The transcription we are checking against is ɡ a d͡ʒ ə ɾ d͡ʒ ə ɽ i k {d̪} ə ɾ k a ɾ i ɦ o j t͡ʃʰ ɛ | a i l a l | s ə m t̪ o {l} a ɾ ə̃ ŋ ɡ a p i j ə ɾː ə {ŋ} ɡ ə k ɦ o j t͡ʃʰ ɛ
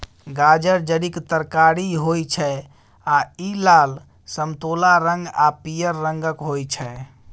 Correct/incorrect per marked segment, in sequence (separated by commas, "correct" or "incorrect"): incorrect, correct, correct